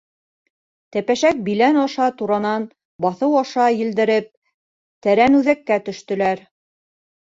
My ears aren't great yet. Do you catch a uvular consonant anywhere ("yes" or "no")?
no